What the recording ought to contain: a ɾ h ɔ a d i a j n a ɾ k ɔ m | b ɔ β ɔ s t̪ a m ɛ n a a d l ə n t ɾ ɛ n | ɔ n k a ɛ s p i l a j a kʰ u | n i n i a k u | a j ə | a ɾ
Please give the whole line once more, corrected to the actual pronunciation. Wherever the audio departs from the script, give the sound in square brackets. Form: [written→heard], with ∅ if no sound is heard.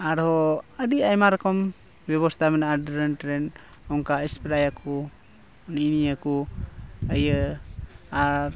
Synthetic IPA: a ɾ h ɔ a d i a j [n→m] a ɾ k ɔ m | b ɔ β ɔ s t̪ a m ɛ n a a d [l→ɾ] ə n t ɾ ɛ n | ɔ [n→ŋ] k a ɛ s p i [l→ɾ] a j a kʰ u | n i n i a k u | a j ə | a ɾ